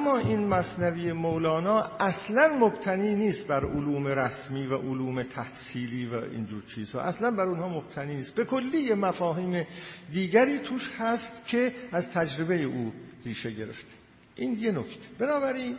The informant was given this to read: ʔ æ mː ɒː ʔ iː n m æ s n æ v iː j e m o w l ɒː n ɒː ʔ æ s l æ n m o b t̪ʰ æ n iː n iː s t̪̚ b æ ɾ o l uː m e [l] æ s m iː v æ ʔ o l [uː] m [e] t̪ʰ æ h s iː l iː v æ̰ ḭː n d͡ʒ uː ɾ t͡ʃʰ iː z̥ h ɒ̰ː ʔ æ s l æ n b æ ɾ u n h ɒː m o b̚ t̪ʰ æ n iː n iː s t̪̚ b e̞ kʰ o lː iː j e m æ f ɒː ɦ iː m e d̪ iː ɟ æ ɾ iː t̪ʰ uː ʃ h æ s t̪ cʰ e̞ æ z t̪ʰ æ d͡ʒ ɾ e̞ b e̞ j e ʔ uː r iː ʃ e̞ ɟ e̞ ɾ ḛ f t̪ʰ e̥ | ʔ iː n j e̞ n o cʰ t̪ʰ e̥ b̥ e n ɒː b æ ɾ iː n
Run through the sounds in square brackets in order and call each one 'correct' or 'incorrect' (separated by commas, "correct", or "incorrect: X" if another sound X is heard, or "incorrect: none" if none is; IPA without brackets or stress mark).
incorrect: ɾ, correct, correct